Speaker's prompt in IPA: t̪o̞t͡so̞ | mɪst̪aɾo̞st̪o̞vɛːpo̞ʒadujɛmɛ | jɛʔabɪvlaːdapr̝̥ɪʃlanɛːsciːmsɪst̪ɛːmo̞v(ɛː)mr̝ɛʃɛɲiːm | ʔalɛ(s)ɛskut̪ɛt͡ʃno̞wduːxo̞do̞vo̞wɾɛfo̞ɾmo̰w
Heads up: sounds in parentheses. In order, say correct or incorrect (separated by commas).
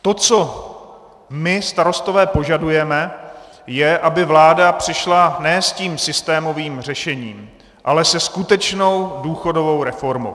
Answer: incorrect, correct